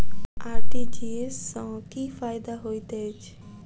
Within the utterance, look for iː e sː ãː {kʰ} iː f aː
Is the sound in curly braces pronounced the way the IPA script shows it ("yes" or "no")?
no